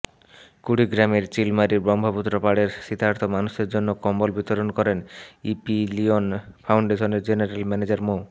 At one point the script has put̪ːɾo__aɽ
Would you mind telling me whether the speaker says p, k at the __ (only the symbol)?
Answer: p